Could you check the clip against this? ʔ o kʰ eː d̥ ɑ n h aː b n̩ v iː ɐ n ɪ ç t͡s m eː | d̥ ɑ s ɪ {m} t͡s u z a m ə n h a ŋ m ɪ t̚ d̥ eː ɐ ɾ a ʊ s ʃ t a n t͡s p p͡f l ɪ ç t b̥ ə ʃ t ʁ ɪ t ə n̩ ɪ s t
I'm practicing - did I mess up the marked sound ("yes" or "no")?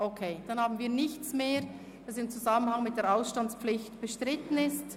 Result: no